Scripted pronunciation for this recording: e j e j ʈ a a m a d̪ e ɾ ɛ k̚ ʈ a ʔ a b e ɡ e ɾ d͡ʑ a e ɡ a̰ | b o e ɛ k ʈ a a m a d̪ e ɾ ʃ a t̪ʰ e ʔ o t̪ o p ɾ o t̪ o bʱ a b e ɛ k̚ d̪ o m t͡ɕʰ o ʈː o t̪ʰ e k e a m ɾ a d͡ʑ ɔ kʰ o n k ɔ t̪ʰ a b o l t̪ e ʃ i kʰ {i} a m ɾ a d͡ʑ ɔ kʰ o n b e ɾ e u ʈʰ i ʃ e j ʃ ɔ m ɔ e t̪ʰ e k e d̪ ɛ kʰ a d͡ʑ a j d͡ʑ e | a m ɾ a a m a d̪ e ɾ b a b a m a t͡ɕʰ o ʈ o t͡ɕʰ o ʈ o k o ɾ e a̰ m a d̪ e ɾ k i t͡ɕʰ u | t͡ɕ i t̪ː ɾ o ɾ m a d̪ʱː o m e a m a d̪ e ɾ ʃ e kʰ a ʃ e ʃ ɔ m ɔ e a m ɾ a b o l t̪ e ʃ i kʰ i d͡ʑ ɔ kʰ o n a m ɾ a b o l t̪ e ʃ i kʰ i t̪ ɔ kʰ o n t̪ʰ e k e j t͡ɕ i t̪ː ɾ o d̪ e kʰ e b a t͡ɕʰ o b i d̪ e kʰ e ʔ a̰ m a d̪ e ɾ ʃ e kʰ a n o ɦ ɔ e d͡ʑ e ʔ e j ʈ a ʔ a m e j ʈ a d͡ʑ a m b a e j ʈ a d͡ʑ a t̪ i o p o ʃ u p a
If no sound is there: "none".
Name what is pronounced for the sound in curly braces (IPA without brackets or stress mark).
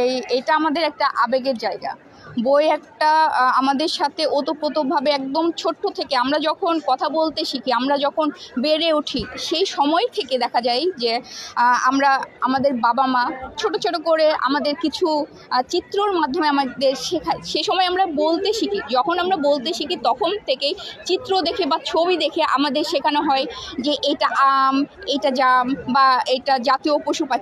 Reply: i